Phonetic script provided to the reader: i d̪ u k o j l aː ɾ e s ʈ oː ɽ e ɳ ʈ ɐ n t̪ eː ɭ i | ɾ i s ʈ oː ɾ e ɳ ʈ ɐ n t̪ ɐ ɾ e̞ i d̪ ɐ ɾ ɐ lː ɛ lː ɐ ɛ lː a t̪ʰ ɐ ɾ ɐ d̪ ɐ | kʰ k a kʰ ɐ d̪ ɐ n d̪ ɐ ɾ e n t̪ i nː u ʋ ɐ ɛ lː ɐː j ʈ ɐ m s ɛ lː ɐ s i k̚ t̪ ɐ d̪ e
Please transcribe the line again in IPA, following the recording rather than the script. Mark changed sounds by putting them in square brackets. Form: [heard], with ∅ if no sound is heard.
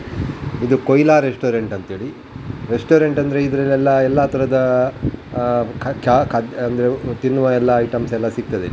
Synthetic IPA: i d̪ u k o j l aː ɾ e s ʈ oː [ɾ] e ɳ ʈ ɐ n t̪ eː ɭ i | ɾ [e] s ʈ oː ɾ e ɳ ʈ ɐ n [d̪] ɐ ɾ e̞ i d̪ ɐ ɾ ɐ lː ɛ lː ɐ ɛ lː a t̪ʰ ɐ ɾ ɐ d̪ ɐ | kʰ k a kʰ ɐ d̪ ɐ n d̪ ɐ ɾ e [∅] t̪ i nː u ʋ ɐ ɛ lː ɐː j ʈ ɐ m s ɛ lː ɐ s i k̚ t̪ ɐ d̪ e